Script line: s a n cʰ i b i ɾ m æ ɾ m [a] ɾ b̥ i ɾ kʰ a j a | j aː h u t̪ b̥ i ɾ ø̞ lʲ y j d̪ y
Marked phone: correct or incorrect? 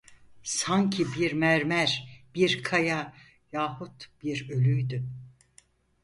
incorrect